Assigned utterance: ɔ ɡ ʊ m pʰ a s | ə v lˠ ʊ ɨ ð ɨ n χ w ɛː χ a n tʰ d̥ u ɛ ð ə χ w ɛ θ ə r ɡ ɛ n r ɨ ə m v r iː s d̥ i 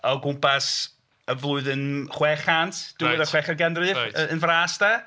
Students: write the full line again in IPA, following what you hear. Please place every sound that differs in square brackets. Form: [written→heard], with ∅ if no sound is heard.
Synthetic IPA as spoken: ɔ ɡ ʊ m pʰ a s | ə v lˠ ʊ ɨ ð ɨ n χ w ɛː χ a n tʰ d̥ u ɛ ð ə χ w ɛ [θ→χ] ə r ɡ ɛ n r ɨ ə [m→n] v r [iː→aː] s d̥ [i→a]